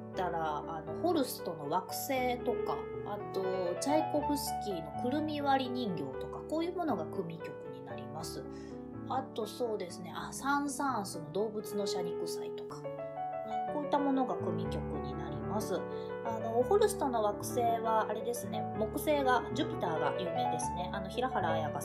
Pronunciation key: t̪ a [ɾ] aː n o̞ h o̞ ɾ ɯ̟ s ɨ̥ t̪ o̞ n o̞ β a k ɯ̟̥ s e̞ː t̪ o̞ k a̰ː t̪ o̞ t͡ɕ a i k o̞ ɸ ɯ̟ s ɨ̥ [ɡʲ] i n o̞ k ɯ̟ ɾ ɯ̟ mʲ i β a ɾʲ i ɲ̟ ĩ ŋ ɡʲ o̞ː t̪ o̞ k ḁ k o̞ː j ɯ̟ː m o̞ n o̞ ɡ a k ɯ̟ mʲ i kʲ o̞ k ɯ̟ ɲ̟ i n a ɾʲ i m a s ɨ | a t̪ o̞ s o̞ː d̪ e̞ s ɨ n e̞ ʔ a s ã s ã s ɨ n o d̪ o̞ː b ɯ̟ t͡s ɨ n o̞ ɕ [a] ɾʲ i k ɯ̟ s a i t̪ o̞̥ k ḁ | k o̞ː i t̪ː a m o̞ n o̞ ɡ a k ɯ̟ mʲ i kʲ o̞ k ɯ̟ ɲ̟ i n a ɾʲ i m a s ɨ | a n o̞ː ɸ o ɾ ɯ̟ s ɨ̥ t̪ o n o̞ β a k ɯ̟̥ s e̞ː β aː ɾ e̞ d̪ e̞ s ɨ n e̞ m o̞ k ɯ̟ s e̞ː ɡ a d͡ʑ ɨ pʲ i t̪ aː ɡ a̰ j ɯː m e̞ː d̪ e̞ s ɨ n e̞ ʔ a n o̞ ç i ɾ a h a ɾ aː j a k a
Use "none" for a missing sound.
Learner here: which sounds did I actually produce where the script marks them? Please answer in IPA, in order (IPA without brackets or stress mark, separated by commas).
ɾ, kʲ, a